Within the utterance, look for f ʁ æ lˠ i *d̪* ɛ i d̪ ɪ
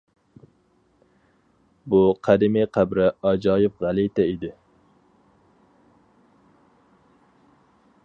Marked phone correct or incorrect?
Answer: incorrect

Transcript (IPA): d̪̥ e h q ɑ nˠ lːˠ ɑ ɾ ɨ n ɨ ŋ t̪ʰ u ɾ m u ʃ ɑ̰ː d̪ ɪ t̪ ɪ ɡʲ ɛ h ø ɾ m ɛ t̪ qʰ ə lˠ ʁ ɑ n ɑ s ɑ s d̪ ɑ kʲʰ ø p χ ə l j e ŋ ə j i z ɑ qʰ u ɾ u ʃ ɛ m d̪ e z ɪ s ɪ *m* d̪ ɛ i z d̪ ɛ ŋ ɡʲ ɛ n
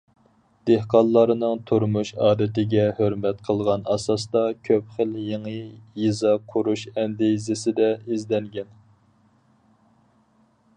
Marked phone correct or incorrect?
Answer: incorrect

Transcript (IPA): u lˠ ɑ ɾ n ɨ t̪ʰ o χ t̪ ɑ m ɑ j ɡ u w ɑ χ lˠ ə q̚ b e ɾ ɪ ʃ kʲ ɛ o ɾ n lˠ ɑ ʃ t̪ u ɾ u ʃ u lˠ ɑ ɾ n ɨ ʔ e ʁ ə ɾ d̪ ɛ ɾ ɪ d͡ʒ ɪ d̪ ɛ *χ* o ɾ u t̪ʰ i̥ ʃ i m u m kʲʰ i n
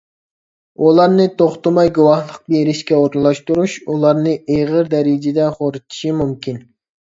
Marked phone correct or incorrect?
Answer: correct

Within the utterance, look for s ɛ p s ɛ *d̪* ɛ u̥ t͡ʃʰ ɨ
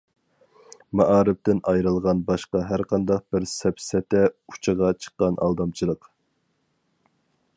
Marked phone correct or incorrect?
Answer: incorrect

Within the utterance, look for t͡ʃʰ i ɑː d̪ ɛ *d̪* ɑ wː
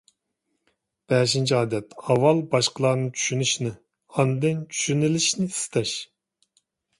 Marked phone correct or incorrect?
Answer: incorrect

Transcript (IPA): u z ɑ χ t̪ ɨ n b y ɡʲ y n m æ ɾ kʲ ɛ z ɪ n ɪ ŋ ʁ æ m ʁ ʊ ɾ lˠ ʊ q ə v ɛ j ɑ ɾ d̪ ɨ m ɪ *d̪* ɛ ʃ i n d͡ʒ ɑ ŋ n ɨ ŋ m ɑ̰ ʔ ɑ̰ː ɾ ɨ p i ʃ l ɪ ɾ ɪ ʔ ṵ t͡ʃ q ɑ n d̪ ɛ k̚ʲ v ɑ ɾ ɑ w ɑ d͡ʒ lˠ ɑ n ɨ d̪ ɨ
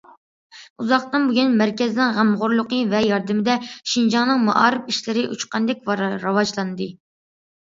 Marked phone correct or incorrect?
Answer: correct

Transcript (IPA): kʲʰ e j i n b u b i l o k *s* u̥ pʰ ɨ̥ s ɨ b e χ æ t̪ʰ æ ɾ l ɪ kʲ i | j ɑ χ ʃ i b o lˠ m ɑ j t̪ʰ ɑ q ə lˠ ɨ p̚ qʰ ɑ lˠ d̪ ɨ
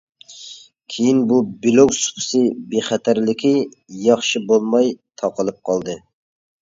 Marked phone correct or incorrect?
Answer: correct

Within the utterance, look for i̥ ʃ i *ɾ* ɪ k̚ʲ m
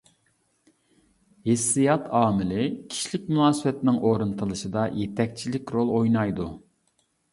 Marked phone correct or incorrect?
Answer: incorrect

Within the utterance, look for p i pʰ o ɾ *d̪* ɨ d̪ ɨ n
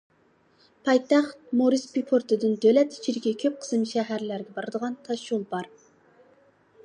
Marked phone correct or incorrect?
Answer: incorrect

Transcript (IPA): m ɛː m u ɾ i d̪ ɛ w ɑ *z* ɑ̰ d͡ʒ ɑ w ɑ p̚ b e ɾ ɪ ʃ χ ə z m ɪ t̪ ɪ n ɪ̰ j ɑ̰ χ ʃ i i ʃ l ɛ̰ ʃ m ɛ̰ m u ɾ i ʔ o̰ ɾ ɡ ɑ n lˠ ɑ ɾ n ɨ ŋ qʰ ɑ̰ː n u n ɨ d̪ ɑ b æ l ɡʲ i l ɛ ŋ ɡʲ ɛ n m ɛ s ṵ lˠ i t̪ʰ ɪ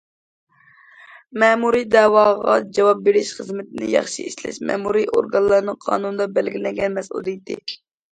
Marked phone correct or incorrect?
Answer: incorrect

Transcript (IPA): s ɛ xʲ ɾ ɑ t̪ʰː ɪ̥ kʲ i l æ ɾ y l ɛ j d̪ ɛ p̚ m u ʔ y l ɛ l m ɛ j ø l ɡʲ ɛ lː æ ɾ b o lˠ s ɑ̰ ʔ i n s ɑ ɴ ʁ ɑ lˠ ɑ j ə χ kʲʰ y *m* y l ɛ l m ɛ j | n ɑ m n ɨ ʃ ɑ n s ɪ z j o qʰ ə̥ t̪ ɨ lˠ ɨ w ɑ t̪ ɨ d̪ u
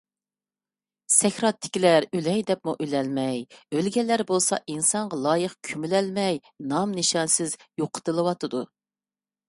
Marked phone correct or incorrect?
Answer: correct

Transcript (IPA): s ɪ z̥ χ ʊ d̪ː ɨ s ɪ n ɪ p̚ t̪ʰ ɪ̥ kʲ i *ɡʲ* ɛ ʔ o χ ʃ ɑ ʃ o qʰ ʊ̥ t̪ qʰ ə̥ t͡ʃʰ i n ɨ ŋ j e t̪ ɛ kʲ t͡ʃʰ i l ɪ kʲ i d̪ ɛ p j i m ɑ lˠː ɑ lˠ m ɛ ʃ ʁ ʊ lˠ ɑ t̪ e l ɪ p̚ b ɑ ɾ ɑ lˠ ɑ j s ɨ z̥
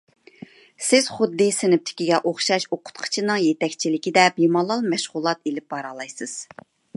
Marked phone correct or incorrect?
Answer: correct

